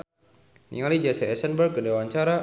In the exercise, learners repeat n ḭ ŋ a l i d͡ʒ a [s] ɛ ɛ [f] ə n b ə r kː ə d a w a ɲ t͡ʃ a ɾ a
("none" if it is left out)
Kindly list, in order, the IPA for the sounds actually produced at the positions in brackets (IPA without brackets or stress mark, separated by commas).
s, s